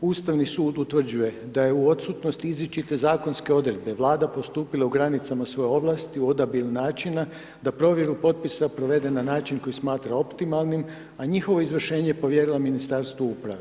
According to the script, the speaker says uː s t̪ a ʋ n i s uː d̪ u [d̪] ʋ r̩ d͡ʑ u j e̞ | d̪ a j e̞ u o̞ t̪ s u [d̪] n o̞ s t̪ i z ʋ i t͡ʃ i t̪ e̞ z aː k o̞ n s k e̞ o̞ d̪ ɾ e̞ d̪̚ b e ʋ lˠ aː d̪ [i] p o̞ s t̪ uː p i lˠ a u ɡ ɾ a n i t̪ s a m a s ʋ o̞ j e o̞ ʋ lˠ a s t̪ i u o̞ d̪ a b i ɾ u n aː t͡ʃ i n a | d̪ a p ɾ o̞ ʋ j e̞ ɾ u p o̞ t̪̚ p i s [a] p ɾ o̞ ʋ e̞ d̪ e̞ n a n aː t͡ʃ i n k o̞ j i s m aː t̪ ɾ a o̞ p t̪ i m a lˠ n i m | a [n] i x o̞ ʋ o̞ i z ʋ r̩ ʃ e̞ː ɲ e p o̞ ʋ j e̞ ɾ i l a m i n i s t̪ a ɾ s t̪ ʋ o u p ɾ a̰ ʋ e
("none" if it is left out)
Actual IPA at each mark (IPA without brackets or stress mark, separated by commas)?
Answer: t̪, t̪, a, a, ɲ